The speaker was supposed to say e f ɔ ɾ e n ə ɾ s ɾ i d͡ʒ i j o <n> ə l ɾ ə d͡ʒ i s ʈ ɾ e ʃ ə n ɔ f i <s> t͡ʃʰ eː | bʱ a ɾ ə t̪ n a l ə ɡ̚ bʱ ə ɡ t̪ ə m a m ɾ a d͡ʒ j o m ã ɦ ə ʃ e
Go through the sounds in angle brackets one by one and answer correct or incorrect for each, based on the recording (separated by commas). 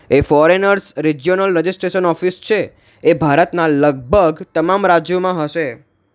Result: correct, correct